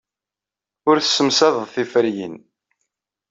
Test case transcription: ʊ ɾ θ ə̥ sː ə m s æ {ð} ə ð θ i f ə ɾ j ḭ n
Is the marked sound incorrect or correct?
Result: correct